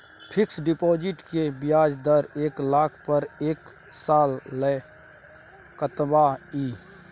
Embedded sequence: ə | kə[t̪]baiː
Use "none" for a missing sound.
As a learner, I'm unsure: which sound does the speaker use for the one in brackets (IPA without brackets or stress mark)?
t̪